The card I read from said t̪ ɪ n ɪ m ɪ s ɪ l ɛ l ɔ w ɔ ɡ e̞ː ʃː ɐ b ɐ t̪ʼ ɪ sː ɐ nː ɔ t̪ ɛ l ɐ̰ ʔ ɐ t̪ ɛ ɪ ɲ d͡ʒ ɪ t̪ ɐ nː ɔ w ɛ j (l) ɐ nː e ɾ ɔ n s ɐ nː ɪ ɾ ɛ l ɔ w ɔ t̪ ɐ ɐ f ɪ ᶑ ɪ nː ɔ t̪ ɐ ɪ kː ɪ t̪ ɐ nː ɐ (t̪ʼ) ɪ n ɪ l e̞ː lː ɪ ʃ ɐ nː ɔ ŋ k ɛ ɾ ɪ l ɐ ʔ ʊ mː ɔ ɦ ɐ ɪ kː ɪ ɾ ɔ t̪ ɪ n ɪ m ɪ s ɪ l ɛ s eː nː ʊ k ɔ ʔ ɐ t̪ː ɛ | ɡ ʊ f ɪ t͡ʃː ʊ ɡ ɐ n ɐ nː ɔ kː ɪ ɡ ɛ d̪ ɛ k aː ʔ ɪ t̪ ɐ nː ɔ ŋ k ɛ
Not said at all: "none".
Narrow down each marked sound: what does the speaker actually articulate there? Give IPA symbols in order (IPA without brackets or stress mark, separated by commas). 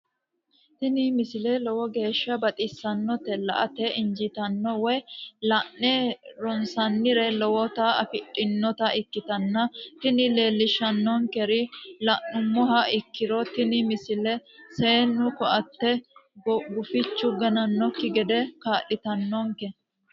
l, t̪